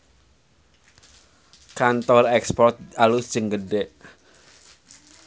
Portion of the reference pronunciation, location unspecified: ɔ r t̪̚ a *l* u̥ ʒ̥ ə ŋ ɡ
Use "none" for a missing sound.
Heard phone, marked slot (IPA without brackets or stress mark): l